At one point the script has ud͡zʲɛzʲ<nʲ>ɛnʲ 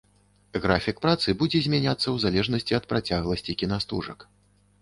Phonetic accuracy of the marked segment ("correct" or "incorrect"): incorrect